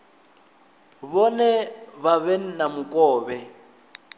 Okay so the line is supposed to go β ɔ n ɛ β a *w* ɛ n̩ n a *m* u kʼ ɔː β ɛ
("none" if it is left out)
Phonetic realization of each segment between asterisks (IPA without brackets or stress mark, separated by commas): β, m